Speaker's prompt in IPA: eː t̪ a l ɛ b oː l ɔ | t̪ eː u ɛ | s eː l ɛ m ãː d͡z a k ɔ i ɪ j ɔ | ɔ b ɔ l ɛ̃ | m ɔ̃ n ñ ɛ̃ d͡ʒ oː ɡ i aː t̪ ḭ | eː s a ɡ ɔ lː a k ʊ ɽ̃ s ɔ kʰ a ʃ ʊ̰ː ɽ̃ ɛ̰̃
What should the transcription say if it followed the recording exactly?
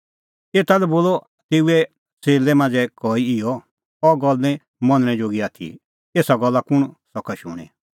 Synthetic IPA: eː t̪ a l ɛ b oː l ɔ | t̪ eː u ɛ | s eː l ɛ m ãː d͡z ɛ k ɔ i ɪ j ɔ | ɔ ɡ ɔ l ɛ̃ | m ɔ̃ n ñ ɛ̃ d͡ʒ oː ɡ i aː t̪ʰ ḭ | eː s a ɡ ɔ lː a k ʊ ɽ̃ s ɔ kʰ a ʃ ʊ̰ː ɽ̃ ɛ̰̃